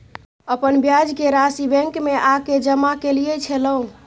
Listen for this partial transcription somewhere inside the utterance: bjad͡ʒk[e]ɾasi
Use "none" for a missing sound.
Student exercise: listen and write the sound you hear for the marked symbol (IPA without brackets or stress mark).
e